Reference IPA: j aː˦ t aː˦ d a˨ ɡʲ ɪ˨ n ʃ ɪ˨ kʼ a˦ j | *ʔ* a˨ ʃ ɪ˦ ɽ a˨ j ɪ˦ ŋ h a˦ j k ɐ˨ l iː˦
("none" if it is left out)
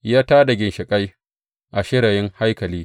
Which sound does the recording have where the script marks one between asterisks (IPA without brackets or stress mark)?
ʔ